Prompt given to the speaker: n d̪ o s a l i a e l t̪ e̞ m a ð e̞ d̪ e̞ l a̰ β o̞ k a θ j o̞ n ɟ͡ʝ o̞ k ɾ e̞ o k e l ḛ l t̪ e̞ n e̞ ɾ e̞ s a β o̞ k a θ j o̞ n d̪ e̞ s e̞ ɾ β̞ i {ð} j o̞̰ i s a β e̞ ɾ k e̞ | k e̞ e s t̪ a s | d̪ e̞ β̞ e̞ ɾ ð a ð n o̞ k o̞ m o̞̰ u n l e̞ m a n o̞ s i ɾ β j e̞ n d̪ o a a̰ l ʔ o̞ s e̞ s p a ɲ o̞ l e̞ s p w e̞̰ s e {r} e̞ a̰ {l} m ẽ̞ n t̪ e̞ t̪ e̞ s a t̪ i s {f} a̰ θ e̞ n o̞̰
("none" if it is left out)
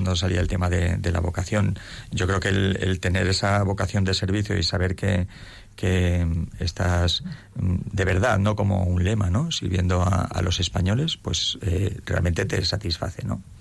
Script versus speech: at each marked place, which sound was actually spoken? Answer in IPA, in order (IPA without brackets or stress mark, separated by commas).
θ, r, l, f